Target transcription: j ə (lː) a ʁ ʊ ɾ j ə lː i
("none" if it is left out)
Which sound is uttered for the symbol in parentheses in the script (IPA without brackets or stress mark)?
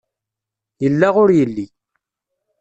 lː